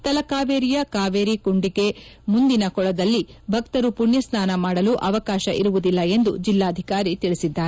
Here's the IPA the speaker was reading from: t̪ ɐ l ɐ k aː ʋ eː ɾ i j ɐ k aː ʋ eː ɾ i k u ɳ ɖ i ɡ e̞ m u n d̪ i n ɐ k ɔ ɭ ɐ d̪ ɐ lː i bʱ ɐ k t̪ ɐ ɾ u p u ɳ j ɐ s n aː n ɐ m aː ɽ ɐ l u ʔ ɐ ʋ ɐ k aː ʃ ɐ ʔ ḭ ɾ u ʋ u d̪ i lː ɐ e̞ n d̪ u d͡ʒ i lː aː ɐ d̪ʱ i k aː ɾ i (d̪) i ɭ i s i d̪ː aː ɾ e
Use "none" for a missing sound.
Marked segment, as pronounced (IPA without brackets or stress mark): t̪